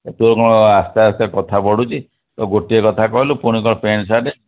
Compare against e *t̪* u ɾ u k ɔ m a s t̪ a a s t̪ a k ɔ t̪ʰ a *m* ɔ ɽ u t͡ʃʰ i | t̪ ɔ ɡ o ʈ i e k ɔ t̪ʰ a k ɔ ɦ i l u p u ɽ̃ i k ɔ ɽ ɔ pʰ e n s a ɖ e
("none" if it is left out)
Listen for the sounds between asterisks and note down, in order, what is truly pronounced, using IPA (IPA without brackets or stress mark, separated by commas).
t̪, b